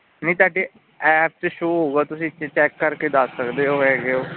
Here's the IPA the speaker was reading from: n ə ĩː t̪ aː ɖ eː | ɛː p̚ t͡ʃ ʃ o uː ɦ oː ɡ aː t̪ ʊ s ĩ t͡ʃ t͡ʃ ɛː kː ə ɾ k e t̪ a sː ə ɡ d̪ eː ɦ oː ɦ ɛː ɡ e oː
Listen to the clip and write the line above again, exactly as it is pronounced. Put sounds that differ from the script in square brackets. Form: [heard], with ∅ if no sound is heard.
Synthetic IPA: n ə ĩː t̪ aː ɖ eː | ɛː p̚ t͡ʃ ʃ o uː ɦ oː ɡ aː t̪ ʊ s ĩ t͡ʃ t͡ʃ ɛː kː ə ɾ k e [d̪] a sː ə [k] d̪ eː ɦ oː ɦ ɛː ɡ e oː